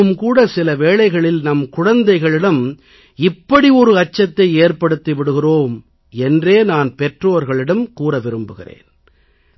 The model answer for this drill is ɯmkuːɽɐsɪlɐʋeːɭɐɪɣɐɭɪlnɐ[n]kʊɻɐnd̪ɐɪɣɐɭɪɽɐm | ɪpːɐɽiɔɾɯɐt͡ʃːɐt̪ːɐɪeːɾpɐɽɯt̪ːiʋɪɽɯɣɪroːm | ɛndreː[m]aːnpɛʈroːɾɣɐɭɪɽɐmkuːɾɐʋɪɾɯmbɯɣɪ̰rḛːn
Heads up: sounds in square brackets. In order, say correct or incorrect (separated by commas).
incorrect, incorrect